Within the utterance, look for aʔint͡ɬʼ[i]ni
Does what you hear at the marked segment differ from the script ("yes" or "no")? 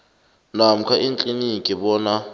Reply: no